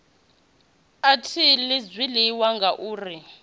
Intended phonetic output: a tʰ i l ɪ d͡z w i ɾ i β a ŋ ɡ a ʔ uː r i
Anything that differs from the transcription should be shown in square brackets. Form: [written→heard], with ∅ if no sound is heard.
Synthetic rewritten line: a tʰ i l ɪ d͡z w i [ɾ→l] i [β→w] a ŋ ɡ a ʔ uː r i